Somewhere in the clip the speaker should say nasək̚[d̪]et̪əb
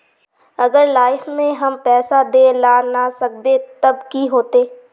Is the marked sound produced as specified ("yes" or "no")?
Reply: yes